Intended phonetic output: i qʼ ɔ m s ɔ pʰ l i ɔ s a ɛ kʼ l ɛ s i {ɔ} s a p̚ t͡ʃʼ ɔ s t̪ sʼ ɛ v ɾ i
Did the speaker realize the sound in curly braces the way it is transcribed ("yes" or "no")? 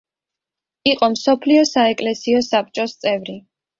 yes